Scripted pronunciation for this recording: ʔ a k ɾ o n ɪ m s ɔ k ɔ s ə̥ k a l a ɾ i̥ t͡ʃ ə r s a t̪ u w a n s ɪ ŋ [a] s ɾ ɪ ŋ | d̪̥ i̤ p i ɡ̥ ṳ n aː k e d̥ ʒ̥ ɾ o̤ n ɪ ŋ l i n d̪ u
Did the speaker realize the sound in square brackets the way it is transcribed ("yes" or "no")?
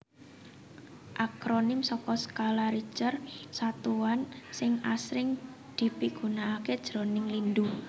yes